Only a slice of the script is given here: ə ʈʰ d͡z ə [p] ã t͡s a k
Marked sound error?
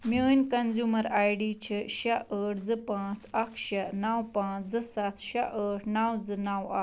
no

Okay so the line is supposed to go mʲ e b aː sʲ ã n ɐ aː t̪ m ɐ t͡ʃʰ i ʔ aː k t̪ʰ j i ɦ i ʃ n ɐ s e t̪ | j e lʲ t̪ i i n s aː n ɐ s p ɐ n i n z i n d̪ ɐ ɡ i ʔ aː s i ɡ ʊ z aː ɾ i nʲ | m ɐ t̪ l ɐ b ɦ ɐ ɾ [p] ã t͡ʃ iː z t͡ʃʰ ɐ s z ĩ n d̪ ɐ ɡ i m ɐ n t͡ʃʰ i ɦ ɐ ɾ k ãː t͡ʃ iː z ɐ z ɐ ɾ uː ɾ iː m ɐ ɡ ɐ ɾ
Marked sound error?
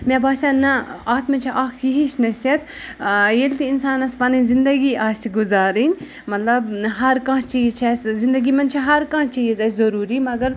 yes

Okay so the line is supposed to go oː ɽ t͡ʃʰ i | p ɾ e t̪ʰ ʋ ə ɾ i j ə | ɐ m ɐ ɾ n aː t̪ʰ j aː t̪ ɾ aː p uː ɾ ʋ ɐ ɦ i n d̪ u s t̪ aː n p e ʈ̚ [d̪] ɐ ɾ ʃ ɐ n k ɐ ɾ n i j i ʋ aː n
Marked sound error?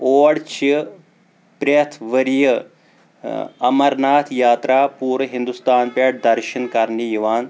no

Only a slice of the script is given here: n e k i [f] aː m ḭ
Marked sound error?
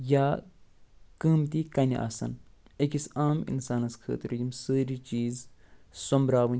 yes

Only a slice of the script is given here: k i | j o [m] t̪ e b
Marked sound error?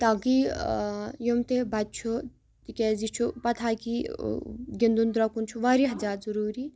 no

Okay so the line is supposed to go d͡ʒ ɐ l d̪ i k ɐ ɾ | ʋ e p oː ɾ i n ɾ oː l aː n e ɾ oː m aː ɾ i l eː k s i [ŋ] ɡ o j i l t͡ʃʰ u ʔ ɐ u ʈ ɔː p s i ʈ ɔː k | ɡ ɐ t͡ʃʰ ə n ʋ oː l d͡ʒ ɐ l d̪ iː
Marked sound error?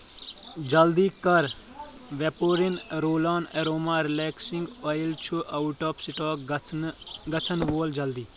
no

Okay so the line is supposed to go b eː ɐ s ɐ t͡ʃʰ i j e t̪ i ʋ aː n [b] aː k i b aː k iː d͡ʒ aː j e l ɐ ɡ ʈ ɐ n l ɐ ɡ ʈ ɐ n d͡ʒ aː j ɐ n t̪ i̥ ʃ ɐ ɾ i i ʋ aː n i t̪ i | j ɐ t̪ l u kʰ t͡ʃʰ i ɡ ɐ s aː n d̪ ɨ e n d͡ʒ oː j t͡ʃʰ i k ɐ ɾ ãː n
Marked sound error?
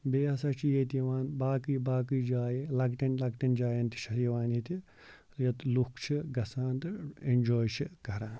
no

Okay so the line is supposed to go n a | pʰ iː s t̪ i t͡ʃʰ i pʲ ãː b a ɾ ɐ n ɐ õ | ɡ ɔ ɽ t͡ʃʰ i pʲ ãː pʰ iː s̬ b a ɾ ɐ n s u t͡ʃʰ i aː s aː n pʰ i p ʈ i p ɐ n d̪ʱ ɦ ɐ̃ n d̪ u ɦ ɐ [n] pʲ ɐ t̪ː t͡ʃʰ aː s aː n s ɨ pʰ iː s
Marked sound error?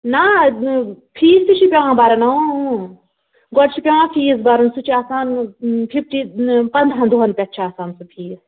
no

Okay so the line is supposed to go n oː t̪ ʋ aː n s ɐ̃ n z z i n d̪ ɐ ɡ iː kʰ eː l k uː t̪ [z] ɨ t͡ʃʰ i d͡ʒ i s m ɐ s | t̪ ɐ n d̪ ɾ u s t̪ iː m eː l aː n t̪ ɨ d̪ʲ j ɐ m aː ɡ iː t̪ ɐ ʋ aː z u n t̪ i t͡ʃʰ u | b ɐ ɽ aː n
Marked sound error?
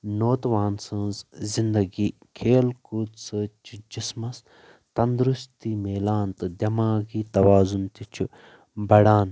yes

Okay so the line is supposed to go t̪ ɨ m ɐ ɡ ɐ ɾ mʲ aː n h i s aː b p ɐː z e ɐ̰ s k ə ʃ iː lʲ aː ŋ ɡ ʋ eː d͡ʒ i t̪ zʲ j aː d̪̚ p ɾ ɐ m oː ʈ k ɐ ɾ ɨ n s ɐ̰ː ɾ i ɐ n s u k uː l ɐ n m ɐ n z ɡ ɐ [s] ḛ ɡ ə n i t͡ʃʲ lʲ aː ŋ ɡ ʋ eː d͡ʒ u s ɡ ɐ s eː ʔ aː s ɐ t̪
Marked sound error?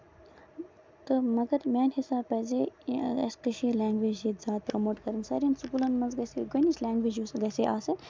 no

